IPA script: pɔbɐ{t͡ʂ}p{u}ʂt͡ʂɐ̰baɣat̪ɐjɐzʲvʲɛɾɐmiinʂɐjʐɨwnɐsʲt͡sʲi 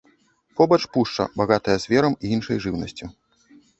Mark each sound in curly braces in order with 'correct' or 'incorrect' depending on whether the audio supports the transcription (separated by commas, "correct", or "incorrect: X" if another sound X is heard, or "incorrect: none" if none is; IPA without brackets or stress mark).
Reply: correct, correct